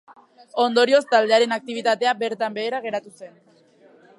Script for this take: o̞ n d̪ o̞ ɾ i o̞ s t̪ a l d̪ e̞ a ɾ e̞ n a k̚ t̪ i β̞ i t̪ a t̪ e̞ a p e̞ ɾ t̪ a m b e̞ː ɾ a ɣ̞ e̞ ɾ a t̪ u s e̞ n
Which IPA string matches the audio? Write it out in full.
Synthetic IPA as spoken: o̞ n d̪ o̞ ɾ i o̞ s t̪ a l d̪ e̞ a ɾ e̞ n a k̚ t̪ i β̞ i t̪ a t̪ e̞ a b e̞ ɾ t̪ a m b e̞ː ɾ a ɣ̞ e̞ ɾ a t̪ u s e̞ n